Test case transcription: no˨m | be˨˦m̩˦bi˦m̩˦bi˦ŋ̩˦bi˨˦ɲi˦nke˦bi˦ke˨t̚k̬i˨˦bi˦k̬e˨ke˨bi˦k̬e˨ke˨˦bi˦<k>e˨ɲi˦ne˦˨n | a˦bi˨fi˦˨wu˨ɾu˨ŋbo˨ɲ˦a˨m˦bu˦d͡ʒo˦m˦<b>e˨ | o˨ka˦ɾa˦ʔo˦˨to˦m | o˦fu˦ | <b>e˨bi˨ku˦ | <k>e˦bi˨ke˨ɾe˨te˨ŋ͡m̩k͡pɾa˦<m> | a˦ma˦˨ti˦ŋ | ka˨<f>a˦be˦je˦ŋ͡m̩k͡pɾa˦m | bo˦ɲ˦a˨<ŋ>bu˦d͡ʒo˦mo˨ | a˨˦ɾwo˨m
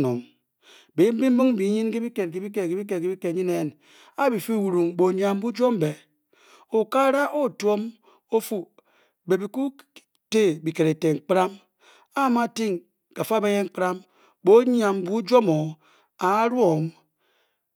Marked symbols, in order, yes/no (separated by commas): yes, yes, yes, no, yes, yes, no